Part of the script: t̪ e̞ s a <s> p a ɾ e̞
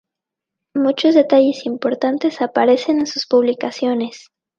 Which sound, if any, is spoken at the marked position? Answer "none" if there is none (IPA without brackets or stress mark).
none